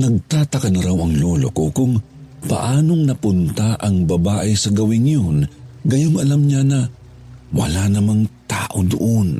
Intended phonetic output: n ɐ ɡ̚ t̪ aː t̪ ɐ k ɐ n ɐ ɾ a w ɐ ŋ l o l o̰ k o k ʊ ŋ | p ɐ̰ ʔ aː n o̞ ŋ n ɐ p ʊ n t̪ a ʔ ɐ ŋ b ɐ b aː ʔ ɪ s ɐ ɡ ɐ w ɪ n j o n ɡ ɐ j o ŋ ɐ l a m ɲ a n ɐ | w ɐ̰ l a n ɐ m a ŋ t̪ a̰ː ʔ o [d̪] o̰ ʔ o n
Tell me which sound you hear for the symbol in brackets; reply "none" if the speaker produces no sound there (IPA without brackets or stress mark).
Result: d̪